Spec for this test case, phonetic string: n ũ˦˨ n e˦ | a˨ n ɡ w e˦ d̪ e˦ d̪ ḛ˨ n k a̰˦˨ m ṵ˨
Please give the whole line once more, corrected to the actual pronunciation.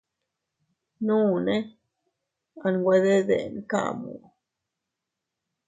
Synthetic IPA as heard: n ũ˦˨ n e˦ | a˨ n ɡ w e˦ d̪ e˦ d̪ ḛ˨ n k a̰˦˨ m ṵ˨